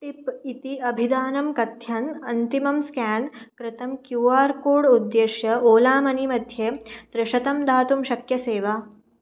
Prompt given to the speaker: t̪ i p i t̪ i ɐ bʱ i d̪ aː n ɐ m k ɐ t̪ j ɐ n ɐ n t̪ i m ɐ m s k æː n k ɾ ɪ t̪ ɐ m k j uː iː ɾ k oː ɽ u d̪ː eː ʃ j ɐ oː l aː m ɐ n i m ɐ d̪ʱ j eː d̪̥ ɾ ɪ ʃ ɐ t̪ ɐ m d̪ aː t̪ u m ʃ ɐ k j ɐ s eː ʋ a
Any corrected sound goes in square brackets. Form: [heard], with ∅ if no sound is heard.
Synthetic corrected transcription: t̪ i p i t̪ i ɐ bʱ i d̪ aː n ɐ m k ɐ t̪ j ɐ n ɐ n t̪ i m ɐ m s k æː n k ɾ ɪ t̪ ɐ m k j uː [aː] ɾ k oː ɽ u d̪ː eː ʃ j ɐ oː l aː m ɐ n i m ɐ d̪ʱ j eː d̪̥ ɾ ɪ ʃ ɐ t̪ ɐ m d̪ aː t̪ u m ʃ ɐ k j ɐ s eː ʋ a